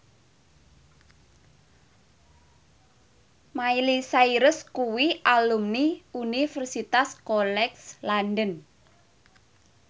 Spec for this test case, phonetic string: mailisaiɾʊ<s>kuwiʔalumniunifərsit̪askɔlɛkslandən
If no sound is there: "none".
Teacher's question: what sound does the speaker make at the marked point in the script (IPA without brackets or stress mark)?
s